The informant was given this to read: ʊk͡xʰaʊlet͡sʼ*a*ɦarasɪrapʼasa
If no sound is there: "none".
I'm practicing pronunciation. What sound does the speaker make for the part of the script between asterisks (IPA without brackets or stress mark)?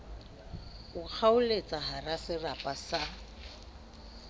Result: a